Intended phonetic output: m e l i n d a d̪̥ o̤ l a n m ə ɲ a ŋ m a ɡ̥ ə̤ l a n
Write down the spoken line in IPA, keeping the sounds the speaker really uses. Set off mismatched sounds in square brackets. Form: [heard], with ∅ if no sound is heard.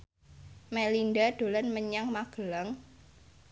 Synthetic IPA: m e l i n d a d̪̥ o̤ l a n m ə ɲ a ŋ m a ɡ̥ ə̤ l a [ŋ]

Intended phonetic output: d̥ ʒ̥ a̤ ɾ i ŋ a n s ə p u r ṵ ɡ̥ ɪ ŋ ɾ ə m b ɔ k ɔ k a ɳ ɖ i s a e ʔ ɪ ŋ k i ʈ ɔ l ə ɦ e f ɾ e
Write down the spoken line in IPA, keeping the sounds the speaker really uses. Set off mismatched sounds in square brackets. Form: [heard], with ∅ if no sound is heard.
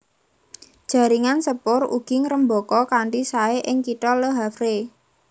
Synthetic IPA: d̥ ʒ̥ a̤ ɾ i ŋ a n s ə p [ʊ] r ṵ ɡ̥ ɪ ŋ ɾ ə m b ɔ k ɔ k a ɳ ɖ i s a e ʔ ɪ ŋ k i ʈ ɔ l ə ɦ [a] f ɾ e

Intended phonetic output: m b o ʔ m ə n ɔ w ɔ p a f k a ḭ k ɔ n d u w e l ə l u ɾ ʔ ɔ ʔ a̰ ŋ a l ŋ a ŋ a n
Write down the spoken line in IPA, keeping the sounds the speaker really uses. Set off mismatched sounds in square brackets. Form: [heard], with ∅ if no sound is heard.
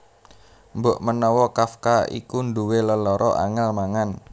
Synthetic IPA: m b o ʔ m ə n ɔ w ɔ [k] a f k a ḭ k [u] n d u w e l ə l [ɔ] ɾ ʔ ɔ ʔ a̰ ŋ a l [m] a ŋ a n

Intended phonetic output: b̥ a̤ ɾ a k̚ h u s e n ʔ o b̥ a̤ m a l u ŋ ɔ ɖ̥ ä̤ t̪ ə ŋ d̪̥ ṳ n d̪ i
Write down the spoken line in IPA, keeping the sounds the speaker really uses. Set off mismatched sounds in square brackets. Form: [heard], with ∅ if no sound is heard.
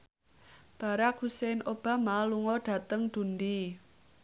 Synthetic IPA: b̥ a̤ ɾ a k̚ h u s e n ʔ o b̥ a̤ m a l u ŋ ɔ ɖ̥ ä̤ t̪ ə ŋ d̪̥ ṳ n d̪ i

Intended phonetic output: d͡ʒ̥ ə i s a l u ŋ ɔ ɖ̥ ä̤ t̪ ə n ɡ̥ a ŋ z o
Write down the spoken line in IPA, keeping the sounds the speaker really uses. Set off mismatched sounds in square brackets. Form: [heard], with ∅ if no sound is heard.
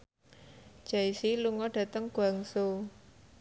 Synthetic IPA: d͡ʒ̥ [a] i s [i] l u ŋ ɔ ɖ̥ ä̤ t̪ ə [ŋ] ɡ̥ a ŋ [s] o

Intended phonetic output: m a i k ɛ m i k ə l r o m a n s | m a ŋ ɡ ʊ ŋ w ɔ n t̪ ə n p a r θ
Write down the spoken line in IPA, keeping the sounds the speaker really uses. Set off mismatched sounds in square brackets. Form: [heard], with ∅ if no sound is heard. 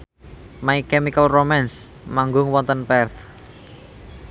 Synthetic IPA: m a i k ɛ m i k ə l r o m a n s | m a ŋ ɡ ʊ ŋ w ɔ n t̪ ə n p [ɛ] r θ

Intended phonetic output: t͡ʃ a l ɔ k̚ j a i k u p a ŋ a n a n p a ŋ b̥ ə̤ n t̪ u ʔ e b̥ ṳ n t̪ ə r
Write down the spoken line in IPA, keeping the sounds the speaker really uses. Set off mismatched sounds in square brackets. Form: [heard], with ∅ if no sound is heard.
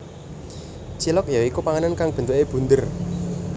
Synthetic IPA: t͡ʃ [i] l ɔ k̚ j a i k u p a ŋ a n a n [k] a ŋ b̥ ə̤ n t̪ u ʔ e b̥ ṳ n [d̪] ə r

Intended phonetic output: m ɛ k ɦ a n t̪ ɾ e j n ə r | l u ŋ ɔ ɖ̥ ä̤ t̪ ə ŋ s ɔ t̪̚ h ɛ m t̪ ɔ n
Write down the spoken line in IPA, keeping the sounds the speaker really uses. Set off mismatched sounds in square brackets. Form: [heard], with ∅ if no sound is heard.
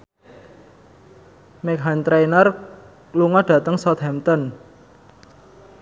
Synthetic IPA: m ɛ k ɦ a n t̪ ɾ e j n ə r | l u ŋ ɔ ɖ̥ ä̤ t̪ ə ŋ s ɔ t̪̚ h ɛ m t̪ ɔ n

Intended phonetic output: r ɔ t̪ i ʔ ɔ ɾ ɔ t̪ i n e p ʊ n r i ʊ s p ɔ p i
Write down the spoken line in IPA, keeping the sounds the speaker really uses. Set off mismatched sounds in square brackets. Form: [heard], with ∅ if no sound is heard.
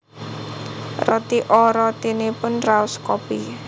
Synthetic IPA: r ɔ t̪ i ʔ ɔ ɾ ɔ t̪ i n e p ʊ n r [a] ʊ s [k] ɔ p i

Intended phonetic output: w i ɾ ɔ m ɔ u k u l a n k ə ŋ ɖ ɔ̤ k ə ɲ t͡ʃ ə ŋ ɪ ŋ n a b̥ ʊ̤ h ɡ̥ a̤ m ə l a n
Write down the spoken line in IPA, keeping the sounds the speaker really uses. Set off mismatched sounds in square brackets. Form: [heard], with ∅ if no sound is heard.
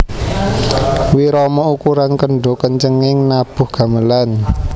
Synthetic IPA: w i ɾ ɔ m ɔ u k u [ɾ] a n k ə [ɳ] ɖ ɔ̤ k ə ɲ t͡ʃ ə ŋ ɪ ŋ n a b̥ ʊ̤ h ɡ̥ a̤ m ə l a n

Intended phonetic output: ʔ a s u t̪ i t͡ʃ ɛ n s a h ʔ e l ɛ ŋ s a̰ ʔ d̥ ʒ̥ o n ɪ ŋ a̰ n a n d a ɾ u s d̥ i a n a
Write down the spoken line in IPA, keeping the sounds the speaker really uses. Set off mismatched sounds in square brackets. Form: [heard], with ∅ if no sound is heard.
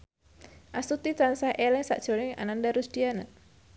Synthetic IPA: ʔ a s u t̪ i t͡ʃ [a] n s a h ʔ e l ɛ ŋ s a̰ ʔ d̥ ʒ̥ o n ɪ ŋ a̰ n a n d a ɾ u s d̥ i a n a

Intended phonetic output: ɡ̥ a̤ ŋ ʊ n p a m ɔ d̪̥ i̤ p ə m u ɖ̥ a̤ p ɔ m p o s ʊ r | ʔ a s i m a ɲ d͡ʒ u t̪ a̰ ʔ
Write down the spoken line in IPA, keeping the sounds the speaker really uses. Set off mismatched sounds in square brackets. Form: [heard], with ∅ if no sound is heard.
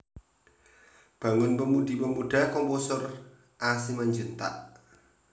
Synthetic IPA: [b̥] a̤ ŋ ʊ n p [ə] m [u] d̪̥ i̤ p ə m u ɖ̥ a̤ [k] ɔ m p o s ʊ r | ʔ a s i m a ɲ d͡ʒ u t̪ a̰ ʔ

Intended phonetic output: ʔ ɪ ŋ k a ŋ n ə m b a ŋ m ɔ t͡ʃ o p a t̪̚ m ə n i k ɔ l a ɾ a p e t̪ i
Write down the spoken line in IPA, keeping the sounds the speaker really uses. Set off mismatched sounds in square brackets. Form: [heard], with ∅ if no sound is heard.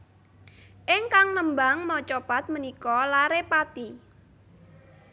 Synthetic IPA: ʔ ɪ ŋ k a ŋ n ə m b a ŋ m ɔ t͡ʃ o p a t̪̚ m ə n i k ɔ l a ɾ [e] p [a] t̪ i

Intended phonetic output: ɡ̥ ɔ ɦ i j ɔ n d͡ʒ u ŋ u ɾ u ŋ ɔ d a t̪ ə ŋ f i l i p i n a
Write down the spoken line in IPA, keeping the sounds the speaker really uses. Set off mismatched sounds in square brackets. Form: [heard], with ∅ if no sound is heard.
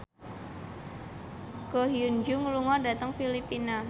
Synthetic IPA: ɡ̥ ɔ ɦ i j [u] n d͡ʒ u ŋ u [l] u ŋ ɔ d a t̪ ə ŋ f i l i p i n a

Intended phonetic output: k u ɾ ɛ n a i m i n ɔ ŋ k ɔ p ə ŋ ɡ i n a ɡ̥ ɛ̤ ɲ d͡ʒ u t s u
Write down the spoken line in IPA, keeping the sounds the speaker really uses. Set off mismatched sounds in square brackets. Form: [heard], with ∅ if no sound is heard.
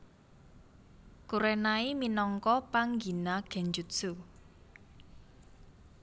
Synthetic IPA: k u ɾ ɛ n a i m i n ɔ ŋ k ɔ p [a] ŋ ɡ i n a ɡ̥ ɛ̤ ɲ d͡ʒ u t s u

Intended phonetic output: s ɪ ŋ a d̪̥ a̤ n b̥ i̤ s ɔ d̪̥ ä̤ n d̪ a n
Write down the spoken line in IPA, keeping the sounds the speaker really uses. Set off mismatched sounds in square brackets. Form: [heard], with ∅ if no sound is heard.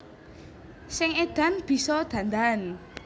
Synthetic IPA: s ɪ ŋ [e] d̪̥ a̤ n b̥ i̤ s ɔ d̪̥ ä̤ n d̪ a n

